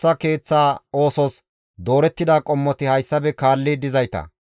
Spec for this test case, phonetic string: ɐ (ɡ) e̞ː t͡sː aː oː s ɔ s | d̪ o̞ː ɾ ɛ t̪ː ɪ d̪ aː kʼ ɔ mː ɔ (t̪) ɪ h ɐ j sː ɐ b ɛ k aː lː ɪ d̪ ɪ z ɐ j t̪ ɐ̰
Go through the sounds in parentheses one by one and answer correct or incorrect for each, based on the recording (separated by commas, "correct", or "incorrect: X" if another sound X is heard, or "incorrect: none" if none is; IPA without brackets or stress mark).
incorrect: k, correct